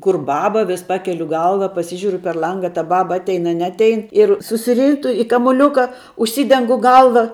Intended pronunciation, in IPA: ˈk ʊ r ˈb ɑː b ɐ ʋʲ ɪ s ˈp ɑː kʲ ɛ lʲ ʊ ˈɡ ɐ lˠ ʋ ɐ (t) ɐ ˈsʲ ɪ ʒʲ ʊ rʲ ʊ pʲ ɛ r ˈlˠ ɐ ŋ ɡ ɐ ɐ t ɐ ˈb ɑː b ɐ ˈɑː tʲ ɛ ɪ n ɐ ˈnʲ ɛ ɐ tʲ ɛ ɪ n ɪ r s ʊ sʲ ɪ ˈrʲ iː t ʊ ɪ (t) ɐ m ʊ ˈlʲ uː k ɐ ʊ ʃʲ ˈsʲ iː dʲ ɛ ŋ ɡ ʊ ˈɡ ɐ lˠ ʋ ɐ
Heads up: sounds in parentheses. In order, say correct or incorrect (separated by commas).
incorrect, incorrect